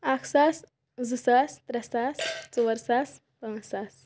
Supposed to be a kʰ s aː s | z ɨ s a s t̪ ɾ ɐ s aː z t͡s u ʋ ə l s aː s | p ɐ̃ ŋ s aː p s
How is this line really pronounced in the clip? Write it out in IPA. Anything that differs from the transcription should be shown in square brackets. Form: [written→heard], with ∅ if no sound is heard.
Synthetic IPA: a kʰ s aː s | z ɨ s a s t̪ ɾ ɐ s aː [z→s] t͡s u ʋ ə [l→ɾ] s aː s | p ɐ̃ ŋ s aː [p→∅] s

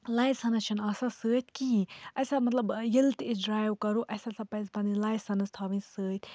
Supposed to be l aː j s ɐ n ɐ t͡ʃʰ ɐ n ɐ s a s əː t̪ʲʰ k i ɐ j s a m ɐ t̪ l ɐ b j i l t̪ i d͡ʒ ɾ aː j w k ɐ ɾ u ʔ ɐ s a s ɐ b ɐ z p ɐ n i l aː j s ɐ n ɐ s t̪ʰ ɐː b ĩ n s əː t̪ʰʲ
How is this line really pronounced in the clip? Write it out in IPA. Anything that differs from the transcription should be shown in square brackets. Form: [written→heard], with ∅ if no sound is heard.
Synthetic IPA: l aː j s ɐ n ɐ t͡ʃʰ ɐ n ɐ s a s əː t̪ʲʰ k i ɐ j s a m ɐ t̪ l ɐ b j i l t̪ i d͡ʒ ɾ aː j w k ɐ ɾ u ʔ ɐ s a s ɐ [b→p] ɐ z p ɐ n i l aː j s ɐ n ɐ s t̪ʰ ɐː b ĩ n s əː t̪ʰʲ

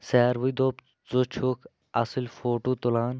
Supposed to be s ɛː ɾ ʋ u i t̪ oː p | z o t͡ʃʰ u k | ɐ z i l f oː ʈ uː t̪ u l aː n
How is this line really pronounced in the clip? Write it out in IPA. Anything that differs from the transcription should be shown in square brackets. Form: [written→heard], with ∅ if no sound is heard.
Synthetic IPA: s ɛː ɾ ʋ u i [t̪→d̪] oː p | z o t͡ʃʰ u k | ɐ [z→s] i l f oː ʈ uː t̪ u l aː n

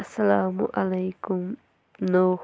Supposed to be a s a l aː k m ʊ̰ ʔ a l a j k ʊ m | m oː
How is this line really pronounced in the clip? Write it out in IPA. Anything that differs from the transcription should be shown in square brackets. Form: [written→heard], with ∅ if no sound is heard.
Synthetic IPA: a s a l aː [k→∅] m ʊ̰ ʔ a l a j k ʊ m | [m→n] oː

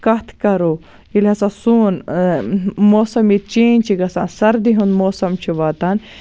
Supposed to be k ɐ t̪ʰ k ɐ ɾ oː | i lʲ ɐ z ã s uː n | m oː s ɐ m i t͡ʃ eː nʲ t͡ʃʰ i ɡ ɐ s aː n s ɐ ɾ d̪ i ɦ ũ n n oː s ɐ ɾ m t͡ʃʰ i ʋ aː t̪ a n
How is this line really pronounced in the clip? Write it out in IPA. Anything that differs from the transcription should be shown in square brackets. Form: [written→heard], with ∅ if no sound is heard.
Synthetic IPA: k ɐ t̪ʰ k ɐ ɾ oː | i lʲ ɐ [z→s] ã s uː n | m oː s ɐ m i t͡ʃ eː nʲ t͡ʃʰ i ɡ ɐ s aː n s ɐ ɾ d̪ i ɦ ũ n [n→m] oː s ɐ [ɾ→∅] m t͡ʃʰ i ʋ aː t̪ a n

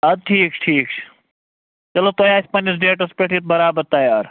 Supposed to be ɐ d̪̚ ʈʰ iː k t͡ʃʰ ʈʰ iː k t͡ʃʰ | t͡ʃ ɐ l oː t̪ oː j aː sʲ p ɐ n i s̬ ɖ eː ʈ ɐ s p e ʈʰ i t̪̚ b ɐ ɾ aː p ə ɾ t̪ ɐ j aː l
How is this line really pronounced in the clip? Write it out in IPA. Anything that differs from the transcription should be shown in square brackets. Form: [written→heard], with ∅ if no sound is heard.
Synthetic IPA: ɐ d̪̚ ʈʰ iː k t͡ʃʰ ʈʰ iː k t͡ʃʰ | t͡ʃ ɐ l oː t̪ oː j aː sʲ p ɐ n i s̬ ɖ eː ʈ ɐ s p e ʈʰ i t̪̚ b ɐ ɾ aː [p→b] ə ɾ t̪ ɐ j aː [l→ɾ]

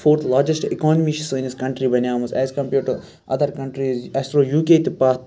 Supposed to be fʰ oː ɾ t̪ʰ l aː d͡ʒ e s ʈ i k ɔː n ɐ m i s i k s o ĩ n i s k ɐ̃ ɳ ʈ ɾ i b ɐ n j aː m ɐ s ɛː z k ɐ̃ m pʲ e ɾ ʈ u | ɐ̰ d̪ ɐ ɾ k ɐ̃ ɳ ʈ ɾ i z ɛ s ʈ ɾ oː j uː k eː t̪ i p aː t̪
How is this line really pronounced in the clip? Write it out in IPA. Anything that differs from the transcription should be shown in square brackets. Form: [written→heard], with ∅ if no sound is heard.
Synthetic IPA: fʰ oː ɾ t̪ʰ l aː d͡ʒ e s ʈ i k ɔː n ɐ m i [s→ʃ] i [k→∅] s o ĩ n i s k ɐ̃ ɳ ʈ ɾ i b ɐ n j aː m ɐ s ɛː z k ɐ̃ m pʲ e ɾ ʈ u | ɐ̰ d̪ ɐ ɾ k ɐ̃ ɳ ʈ ɾ i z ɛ s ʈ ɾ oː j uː k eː t̪ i p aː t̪

